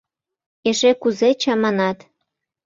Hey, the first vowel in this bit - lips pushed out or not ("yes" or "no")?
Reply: no